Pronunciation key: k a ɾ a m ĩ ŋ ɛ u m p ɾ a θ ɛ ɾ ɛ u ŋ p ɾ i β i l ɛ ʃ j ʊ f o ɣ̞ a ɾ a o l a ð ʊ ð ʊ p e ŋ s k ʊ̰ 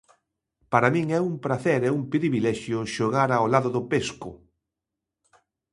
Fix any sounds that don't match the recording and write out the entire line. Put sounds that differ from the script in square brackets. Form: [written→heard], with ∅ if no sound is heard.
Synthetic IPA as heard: [k→p] a ɾ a m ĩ ŋ ɛ u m p ɾ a θ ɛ ɾ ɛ u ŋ p ɾ i β i l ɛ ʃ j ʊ [f→ʃ] o ɣ̞ a ɾ a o l a ð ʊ ð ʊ p e [ŋ→∅] s k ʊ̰